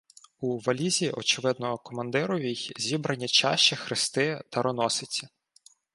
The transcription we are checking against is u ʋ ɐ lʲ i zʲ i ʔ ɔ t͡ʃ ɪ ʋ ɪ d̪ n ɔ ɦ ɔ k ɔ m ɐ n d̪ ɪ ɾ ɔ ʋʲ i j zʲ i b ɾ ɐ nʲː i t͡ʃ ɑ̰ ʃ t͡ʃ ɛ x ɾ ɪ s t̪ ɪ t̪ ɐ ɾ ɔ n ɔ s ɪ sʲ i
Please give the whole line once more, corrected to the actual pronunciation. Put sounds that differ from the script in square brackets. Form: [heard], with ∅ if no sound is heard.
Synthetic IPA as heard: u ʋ ɐ lʲ i zʲ i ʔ ɔ t͡ʃ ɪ ʋ ɪ d̪ n ɔ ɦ ɔ k ɔ m ɐ n d̪ ɪ ɾ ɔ ʋʲ i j zʲ i b ɾ ɐ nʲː i t͡ʃ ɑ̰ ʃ t͡ʃ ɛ x ɾ ɪ s t̪ ɪ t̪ ɐ ɾ ɔ n ɔ s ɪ [t͡sʲ] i